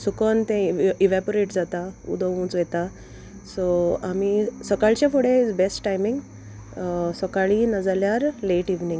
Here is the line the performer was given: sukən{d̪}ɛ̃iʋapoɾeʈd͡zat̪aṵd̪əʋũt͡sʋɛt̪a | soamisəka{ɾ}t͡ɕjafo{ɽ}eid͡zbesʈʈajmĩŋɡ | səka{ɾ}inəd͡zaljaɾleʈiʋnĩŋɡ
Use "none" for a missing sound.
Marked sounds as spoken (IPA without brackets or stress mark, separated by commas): t̪, ɭ, ɽ, ɭ